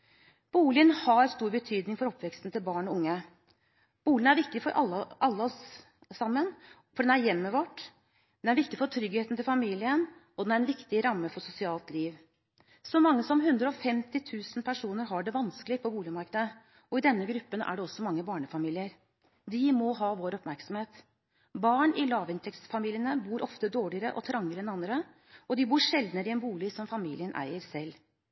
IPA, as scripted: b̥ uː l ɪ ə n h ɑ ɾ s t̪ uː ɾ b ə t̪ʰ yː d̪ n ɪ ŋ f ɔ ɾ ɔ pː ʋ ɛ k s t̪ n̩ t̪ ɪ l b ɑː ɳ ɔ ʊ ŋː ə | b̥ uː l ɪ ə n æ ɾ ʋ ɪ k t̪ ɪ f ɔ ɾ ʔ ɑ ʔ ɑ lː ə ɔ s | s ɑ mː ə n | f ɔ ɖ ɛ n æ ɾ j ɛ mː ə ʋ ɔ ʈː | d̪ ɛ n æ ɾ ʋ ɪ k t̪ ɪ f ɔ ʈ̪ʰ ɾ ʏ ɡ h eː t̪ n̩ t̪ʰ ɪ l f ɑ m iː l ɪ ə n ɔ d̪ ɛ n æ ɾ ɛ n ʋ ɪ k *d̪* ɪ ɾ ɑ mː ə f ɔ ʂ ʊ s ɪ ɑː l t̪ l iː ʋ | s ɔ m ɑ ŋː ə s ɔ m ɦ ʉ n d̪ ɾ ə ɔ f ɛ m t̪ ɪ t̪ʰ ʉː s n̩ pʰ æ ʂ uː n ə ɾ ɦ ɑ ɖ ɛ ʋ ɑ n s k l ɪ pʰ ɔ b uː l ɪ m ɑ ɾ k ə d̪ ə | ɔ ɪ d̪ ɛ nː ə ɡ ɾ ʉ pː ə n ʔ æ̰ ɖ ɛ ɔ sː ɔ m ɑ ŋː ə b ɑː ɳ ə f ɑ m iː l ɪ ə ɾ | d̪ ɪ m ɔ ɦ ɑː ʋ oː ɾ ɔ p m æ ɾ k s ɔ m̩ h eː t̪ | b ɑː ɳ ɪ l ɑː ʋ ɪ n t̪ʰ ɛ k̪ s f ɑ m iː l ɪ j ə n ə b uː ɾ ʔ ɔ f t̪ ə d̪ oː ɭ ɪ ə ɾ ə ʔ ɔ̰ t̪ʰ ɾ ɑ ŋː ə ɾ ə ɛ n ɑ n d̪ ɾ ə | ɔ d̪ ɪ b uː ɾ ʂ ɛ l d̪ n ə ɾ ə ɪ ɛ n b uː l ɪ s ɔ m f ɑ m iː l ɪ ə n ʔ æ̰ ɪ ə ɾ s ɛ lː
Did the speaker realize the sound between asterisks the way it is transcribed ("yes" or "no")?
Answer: no